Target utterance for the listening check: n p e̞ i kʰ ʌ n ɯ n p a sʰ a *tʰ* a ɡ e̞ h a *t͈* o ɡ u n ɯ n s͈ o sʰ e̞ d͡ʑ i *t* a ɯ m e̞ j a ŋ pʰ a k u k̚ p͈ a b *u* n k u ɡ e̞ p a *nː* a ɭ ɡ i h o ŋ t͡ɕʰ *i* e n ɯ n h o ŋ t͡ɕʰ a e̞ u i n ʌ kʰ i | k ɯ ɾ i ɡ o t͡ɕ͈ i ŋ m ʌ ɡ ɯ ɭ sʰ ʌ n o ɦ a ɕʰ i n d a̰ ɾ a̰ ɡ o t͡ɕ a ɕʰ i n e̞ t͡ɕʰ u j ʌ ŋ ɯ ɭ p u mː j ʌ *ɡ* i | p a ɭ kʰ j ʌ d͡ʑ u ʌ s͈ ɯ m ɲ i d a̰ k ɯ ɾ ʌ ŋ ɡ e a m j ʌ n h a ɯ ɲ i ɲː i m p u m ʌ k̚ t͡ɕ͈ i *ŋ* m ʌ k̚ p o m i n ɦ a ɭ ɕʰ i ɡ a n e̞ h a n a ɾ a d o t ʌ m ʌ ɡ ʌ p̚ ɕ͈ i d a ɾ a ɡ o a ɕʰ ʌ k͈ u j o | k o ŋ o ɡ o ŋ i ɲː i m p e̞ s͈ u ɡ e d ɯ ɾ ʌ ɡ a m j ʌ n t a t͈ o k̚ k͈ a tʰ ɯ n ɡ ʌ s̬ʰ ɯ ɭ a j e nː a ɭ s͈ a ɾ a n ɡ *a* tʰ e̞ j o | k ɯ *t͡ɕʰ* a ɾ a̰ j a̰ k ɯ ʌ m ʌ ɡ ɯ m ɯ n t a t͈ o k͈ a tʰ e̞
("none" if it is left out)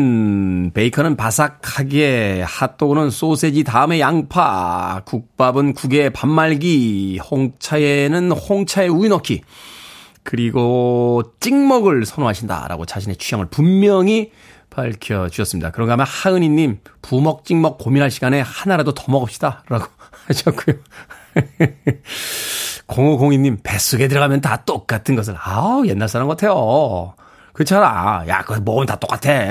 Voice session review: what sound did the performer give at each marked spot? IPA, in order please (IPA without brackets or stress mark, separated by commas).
kʰ, t͈, t, ɯ, mː, a, ŋ, ŋ, ʌ, t͡ɕʰ